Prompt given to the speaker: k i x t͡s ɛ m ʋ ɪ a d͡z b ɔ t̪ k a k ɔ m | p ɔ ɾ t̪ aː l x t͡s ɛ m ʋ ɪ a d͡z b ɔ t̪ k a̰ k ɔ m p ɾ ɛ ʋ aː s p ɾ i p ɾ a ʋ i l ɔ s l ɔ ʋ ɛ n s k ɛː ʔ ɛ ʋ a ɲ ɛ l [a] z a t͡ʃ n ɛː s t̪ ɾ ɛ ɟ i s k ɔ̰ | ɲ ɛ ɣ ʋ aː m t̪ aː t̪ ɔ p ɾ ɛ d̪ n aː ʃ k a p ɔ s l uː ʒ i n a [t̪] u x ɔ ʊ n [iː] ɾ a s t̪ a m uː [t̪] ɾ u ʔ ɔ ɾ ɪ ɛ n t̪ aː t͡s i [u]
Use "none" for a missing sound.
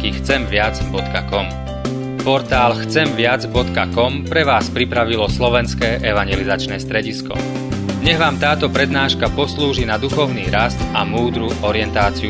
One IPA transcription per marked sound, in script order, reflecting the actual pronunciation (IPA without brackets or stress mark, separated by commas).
i, d̪, iː, d̪, u